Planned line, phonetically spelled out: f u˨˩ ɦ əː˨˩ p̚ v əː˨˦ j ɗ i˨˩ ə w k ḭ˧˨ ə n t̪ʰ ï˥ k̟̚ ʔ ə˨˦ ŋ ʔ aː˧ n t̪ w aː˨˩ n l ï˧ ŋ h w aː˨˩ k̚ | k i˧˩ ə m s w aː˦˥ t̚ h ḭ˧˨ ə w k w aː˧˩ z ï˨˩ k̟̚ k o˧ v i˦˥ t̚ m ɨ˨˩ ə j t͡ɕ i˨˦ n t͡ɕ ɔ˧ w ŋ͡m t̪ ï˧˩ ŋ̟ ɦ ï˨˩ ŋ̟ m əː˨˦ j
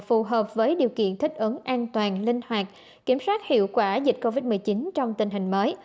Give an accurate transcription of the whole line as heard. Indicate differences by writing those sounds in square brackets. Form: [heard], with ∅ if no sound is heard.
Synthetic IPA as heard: f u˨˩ ɦ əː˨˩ p̚ v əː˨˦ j ɗ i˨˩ ə w k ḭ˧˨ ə n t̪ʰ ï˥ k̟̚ ʔ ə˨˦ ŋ ʔ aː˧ n t̪ w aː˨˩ n l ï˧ ŋ h w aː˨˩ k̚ | k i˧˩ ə m s w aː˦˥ t̚ h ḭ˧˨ ə w k w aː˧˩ z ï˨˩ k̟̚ k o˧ v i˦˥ t̚ m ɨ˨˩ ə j t͡ɕ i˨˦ n t͡ɕ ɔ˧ w ŋ͡m t̪ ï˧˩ ŋ̟ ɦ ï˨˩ ŋ̟ m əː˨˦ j